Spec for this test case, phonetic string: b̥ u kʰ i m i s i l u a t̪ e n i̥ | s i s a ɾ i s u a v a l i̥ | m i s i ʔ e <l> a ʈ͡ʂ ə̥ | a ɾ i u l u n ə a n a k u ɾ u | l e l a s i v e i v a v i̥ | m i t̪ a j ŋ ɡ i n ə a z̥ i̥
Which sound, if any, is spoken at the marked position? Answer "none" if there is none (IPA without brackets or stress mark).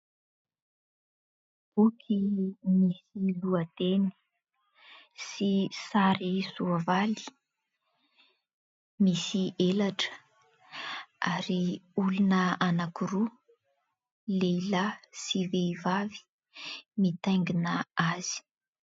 l